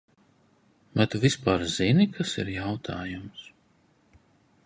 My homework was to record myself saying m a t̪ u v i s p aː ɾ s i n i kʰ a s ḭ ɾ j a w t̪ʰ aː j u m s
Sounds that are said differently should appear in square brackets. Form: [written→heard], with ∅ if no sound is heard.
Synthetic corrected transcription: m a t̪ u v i s p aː ɾ [s→z] i n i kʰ a s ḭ ɾ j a w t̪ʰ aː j u m s